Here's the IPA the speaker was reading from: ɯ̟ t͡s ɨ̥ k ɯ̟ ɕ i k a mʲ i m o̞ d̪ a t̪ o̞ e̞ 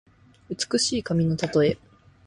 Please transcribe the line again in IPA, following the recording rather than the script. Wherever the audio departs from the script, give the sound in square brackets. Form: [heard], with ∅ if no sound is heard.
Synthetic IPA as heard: ɯ̟ t͡s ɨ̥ k ɯ̟ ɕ [iː] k a mʲ i [n] o̞ [t̪] a t̪ o̞ e̞

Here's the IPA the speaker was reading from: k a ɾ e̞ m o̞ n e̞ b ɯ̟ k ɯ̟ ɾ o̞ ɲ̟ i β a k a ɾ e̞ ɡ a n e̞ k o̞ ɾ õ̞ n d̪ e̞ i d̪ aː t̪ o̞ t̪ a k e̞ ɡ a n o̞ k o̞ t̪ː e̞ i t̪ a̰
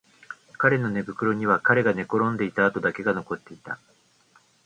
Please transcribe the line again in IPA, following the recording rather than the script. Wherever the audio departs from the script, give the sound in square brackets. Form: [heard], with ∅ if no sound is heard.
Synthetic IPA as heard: k a ɾ e̞ [n] o̞ n e̞ b ɯ̟ k ɯ̟ ɾ o̞ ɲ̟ i β a k a ɾ e̞ ɡ a n e̞ k o̞ ɾ õ̞ n d̪ e̞ i [t̪] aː t̪ o̞ [d̪] a k e̞ ɡ a n o̞ k o̞ t̪ː e̞ i t̪ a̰

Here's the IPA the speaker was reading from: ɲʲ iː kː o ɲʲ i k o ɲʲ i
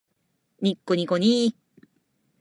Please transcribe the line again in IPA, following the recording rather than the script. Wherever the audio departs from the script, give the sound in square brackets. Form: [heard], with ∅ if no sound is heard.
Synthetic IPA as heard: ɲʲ [i] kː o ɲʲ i k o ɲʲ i

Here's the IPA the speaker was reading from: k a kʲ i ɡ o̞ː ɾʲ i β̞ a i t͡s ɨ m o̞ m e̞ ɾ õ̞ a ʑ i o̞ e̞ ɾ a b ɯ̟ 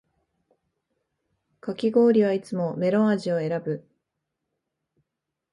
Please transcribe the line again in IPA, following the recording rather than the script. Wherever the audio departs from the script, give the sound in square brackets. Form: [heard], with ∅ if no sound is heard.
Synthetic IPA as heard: k a kʲ i ɡ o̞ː ɾʲ i β̞ a i t͡s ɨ m o̞ m e̞ ɾ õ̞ a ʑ i o̞ e̞ ɾ a b ɯ̟

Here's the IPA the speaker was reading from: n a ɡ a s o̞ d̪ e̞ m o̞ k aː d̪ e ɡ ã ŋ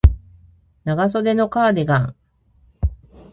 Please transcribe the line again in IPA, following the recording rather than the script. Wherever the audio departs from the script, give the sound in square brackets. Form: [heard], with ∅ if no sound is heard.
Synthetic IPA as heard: n a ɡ a s o̞ d̪ e̞ [n] o̞ k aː d̪ e ɡ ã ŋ

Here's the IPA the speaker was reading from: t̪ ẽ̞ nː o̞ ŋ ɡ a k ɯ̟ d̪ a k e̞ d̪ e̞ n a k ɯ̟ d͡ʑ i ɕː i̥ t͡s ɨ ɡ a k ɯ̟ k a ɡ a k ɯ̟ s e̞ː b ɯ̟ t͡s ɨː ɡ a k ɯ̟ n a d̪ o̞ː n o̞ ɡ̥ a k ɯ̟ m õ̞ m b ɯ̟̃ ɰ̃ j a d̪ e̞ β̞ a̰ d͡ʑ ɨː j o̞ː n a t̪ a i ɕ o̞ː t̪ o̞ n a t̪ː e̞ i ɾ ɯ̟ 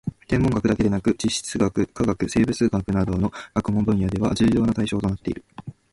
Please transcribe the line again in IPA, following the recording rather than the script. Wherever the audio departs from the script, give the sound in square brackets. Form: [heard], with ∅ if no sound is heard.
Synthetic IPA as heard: t̪ ẽ̞ [mː] o̞ ŋ ɡ a k ɯ̟ d̪ a k e̞ d̪ e̞ n a k ɯ̟ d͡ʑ i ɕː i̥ t͡s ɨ ɡ a k ɯ̟ k a ɡ a k ɯ̟ s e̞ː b ɯ̟ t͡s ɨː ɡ a k ɯ̟ n a d̪ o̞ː n o̞ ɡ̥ a k ɯ̟ m õ̞ m b ɯ̟̃ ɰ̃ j a d̪ e̞ β̞ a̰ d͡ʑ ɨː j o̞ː n a t̪ a i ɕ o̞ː t̪ o̞ n a t̪ː e̞ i ɾ ɯ̟

